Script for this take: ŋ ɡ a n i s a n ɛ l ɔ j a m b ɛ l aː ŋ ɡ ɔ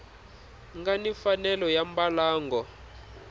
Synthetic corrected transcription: ŋ ɡ a n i f a n ɛ l ɔ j a m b a l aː ŋ ɡ ɔ